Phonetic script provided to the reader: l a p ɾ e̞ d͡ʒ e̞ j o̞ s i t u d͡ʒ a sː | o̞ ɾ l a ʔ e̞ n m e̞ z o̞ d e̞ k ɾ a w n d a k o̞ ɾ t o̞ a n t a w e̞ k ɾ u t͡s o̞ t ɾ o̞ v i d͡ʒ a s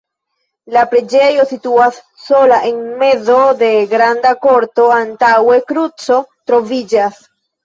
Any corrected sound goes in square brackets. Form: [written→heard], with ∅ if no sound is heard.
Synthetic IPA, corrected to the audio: l a p ɾ e̞ d͡ʒ e̞ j o̞ s i t u [d͡ʒ→∅] a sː | o̞ [ɾ→∅] l a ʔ e̞ n m e̞ z o̞ d e̞ [k→ɡ] ɾ a [w→∅] n d a k o̞ ɾ t o̞ a n t a w e̞ k ɾ u t͡s o̞ t ɾ o̞ v i d͡ʒ a s